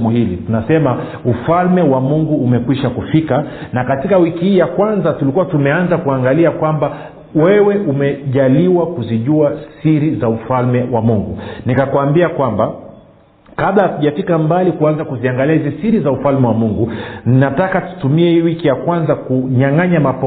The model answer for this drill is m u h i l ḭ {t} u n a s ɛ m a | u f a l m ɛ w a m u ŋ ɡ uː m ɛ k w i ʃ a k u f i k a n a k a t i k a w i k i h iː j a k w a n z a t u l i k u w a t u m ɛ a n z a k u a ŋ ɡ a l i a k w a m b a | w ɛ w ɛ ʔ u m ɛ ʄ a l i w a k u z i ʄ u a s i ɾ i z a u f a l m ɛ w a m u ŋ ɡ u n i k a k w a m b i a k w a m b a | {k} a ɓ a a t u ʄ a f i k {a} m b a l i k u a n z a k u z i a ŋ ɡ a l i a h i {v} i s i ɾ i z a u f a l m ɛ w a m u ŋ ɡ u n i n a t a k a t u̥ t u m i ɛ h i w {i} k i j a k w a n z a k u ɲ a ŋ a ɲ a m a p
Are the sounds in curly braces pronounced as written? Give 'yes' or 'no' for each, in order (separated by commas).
yes, yes, yes, no, yes